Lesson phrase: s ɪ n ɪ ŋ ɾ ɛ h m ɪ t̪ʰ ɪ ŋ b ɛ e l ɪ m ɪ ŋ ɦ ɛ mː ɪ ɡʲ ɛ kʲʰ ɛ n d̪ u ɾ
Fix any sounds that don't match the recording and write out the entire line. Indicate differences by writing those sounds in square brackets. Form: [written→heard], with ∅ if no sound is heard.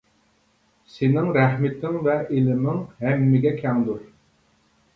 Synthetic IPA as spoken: s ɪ n ɪ ŋ ɾ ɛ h m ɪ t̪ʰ ɪ ŋ [b→v] ɛ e l ɪ m ɪ ŋ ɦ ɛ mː ɪ ɡʲ ɛ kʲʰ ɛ [n→ŋ] d̪ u ɾ